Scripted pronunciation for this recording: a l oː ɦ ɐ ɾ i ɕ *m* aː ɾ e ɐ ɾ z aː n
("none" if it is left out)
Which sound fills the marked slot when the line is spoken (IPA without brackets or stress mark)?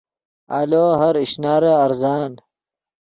n